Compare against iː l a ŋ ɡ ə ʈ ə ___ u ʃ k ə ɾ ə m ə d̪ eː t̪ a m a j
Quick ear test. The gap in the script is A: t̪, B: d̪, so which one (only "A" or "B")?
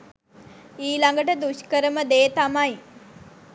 B